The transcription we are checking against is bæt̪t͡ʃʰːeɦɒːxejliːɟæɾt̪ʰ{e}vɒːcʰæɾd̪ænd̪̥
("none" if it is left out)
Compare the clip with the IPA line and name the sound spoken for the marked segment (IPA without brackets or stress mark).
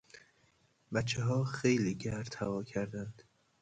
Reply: æ